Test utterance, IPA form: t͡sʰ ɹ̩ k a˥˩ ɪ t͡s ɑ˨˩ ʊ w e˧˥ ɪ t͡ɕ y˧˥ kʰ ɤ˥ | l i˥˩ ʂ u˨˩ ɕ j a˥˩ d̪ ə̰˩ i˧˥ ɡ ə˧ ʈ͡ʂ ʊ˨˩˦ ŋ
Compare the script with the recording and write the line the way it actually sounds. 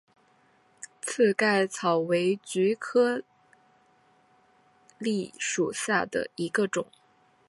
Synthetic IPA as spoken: t͡sʰ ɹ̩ k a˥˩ ɪ t͡sʰ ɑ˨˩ ʊ w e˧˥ ɪ t͡ɕ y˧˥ kʰ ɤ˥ | l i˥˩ ʂ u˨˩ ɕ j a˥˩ d̪ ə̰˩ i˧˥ ɡ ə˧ ʈ͡ʂ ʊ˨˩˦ ŋ